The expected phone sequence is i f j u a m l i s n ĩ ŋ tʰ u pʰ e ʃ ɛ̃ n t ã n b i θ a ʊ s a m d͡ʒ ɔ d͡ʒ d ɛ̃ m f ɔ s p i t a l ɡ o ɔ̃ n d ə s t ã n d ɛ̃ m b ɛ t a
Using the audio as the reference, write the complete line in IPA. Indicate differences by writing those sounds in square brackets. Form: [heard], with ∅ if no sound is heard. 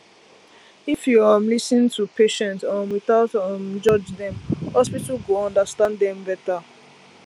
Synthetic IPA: i f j u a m l i s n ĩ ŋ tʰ u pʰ e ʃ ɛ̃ n t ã n [w] i θ a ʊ [t] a m d͡ʒ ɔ d͡ʒ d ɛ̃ m [h] ɔ s p i t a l ɡ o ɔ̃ n d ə s t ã n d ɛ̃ m b ɛ t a